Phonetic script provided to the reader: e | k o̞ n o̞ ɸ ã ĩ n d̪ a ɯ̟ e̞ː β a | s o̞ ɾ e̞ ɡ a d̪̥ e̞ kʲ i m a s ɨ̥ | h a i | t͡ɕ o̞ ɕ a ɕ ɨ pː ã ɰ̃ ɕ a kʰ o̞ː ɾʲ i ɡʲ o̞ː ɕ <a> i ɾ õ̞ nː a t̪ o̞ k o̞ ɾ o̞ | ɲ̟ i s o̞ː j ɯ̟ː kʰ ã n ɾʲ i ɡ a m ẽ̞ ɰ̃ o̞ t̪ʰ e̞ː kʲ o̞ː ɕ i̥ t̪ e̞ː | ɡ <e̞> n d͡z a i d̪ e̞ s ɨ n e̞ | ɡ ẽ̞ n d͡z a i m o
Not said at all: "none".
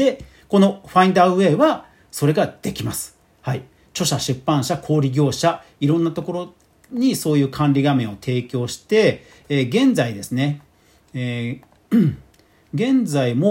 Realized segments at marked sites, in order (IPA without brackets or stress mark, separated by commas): a, ẽ̞